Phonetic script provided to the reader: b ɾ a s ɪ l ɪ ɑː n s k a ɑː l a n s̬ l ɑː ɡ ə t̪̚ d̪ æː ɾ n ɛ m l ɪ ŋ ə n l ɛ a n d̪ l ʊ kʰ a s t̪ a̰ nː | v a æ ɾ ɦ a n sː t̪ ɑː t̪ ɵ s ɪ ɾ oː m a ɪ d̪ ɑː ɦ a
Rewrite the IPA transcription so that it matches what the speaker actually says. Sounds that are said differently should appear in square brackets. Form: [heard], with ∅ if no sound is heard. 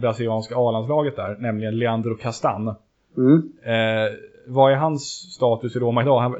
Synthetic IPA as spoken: b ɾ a s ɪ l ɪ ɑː n s k a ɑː l a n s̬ l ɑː ɡ ə t̪̚ d̪ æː ɾ n ɛ m l ɪ [ɡ] ə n l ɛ a n d̪ [ɾ] ʊ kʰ a s t̪ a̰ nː | v a æ ɾ ɦ a n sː t̪ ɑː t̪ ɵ s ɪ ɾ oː m a ɪ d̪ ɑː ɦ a